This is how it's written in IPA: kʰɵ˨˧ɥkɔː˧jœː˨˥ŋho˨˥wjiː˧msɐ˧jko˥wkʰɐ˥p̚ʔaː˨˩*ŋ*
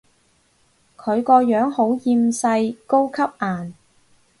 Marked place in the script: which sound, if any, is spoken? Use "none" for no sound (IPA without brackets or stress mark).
n